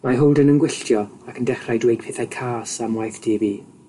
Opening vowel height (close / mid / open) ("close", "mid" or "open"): open